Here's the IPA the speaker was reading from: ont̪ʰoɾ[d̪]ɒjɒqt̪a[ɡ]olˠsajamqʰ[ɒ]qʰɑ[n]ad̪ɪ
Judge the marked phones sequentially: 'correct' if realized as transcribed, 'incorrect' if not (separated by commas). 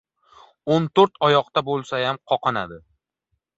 incorrect, incorrect, correct, correct